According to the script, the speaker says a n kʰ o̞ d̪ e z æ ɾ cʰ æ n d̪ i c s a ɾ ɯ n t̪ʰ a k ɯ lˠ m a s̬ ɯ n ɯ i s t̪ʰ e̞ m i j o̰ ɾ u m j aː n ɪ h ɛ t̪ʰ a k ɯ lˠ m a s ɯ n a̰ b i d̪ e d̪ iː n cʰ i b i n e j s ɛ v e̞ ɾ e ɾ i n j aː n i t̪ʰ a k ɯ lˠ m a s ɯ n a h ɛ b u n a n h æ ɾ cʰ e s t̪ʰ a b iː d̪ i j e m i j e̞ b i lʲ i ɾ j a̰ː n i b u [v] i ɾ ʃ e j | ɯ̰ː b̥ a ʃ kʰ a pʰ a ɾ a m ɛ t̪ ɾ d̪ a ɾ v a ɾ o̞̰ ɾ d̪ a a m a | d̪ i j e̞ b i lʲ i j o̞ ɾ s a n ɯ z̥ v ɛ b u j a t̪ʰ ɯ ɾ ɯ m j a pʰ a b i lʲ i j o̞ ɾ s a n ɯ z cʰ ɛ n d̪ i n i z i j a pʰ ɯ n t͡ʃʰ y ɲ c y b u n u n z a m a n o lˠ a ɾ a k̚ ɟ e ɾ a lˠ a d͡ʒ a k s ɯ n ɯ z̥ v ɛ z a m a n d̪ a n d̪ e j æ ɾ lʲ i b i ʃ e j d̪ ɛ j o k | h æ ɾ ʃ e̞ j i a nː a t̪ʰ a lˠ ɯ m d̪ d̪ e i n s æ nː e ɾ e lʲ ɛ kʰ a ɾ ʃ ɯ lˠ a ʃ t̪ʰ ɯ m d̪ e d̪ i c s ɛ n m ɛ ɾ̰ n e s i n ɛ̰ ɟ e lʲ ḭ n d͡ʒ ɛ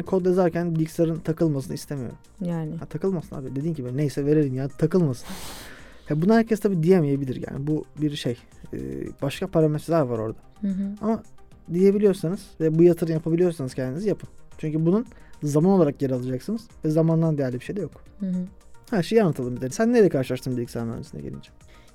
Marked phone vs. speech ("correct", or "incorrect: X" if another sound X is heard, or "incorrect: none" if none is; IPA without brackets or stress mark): incorrect: b